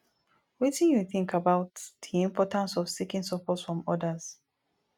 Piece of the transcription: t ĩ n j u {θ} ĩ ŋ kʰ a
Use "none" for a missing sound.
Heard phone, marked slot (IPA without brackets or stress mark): θ